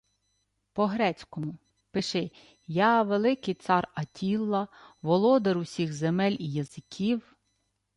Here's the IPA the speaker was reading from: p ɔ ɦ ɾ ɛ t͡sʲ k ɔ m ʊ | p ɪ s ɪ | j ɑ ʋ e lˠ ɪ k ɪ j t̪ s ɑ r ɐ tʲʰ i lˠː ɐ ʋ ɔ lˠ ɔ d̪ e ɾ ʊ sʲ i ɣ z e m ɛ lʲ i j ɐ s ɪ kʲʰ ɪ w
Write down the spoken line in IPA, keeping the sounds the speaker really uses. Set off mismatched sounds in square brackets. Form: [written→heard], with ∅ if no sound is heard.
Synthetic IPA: p ɔ ɦ ɾ ɛ t͡sʲ k ɔ m ʊ | p ɪ [s→ʃ] ɪ | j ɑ ʋ e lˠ ɪ k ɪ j t̪ s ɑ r ɐ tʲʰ i lˠː ɐ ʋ ɔ lˠ ɔ d̪ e ɾ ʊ sʲ i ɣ z e m ɛ lʲ i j ɐ [s→z] ɪ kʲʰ [ɪ→i] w